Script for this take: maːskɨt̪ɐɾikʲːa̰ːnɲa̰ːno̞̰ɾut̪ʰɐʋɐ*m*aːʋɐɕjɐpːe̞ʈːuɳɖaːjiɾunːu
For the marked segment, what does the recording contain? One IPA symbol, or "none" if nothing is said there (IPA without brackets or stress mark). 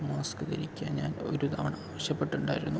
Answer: ɳ